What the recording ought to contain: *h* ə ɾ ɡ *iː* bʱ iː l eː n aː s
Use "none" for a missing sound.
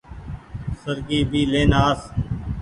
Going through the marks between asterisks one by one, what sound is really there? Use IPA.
s, iː

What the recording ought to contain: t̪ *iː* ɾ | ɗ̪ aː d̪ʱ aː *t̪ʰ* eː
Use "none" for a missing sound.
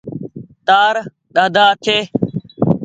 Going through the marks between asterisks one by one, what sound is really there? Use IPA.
aː, t̪ʰ

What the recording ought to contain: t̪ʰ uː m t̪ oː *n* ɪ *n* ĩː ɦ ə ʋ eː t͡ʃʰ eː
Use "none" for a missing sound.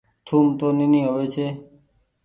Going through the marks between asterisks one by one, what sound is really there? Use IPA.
n, n

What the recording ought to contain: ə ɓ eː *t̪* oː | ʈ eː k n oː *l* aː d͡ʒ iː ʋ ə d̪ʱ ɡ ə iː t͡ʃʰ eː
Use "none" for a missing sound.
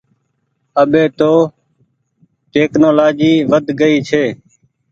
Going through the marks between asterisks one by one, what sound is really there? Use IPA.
t̪, l

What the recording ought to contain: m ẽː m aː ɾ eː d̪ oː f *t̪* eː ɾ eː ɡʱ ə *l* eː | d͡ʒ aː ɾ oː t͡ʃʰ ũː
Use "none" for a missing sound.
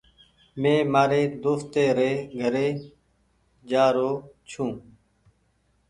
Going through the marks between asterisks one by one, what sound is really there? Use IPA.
t̪, ɾ

